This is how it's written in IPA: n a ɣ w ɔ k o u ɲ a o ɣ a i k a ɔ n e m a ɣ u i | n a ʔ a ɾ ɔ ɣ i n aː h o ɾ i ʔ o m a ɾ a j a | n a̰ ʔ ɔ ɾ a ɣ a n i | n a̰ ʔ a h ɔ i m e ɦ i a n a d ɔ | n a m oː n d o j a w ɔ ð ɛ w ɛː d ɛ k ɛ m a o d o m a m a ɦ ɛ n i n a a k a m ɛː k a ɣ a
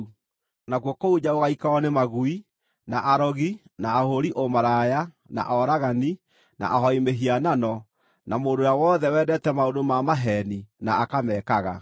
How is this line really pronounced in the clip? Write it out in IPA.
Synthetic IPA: n a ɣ w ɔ k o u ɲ a o ɣ a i k a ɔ n e m a ɣ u i | n a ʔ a ɾ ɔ ɣ i n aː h o ɾ i ʔ o m a ɾ a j a | n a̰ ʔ ɔ ɾ a ɣ a n i | n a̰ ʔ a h ɔ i m e ɦ i a n a n ɔ | n a m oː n d o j a w ɔ ð ɛ w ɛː d ɛ t ɛ m a o d o m a m a ɦ ɛ n i n a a k a m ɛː k a ɣ a